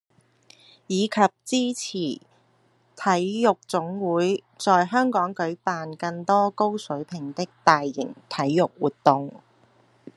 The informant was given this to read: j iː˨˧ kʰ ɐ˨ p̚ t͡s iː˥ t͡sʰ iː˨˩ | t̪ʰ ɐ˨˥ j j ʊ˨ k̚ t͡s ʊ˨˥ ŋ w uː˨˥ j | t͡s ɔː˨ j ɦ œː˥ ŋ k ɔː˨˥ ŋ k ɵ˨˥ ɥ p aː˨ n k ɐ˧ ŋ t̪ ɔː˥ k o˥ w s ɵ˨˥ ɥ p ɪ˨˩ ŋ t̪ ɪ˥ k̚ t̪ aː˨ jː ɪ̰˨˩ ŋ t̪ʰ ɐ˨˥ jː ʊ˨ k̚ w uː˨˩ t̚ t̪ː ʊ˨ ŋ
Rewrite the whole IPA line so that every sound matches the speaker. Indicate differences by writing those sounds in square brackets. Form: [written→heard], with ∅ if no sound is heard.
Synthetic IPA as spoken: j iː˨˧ kʰ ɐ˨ p̚ t͡s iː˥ t͡sʰ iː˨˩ | t̪ʰ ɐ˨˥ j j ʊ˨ k̚ t͡s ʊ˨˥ ŋ w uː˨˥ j | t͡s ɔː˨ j ɦ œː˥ ŋ k ɔː˨˥ ŋ k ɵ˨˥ ɥ p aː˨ n k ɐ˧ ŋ t̪ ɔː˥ k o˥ w s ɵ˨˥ ɥ [p→pʰ] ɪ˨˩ ŋ t̪ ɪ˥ k̚ t̪ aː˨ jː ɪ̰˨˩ ŋ t̪ʰ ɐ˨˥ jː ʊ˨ k̚ w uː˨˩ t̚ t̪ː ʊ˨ ŋ